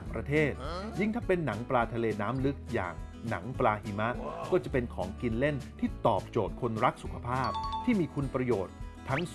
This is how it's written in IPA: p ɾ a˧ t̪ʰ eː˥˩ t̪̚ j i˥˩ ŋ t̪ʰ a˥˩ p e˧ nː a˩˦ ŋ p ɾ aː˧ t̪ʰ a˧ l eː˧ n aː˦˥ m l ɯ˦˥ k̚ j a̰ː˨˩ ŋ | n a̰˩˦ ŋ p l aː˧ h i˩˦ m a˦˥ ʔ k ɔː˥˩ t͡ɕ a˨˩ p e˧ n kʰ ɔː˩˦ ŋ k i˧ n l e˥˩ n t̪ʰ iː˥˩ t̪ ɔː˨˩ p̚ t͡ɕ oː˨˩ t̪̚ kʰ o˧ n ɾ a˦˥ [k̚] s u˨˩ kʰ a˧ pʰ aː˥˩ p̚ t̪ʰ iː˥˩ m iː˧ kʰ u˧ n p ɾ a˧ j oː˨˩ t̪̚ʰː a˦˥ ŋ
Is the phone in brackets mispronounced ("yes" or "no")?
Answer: no